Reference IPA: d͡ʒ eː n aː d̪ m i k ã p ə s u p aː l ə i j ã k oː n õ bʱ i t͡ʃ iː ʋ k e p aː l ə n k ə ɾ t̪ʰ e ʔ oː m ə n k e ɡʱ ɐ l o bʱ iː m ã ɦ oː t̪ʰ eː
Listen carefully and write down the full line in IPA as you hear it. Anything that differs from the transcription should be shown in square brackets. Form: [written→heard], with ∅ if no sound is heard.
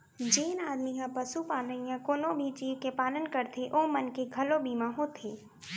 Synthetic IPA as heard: d͡ʒ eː n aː d̪ m i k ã p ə s u p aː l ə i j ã k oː n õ bʱ i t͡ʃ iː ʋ k e p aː l ə n k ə ɾ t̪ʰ e ʔ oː m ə n k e ɡʱ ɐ l o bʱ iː m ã ɦ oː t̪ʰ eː